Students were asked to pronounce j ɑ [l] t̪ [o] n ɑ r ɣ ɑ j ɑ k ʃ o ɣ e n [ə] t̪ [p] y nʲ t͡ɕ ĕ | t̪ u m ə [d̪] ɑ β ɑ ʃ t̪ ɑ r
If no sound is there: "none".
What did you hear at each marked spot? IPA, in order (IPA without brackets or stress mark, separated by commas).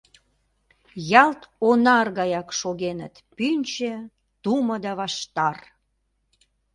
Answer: l, o, ə, p, d̪